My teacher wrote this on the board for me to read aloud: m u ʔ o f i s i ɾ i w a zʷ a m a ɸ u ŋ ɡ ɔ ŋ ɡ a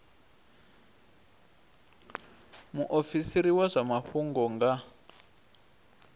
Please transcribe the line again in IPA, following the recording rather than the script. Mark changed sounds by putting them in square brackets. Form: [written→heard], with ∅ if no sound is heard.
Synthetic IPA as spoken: m u ʔ o f i s i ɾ i w a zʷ a m a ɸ u ŋ ɡ ɔ ŋ ɡ a